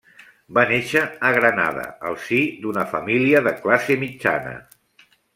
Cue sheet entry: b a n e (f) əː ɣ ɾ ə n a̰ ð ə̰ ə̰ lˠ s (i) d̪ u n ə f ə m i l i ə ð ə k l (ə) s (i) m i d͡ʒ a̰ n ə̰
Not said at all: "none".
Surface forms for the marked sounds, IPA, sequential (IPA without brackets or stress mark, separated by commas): ʃ, i, a, e